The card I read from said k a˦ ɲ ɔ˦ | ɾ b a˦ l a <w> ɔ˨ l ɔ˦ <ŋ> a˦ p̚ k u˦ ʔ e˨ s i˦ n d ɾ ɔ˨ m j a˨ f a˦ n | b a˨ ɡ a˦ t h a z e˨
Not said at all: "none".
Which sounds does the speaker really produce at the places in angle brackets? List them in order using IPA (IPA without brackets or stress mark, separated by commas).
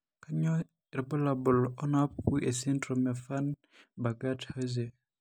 b, n